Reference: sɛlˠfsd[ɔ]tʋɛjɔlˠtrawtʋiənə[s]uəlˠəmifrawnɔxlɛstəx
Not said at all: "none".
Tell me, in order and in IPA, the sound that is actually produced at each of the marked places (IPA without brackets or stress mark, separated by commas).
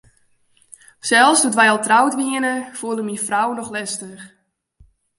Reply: u, f